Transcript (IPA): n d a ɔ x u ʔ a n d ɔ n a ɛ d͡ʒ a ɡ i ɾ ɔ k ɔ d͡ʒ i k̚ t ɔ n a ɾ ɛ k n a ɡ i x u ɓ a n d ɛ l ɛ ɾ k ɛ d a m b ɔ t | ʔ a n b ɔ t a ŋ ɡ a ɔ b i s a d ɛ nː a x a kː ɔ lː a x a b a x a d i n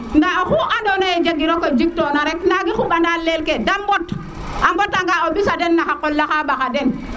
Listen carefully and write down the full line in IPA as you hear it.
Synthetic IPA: n d a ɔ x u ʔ a n d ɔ n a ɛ d͡ʒ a ɡ i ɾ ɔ k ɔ d͡ʒ i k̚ t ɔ n a ɾ ɛ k n a ɡ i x u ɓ a n d a l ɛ l k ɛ d a m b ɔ t | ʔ a m b ɔ t a ŋ ɡ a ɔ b i s a d ɛ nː a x a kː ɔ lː a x a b a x a d ɛ n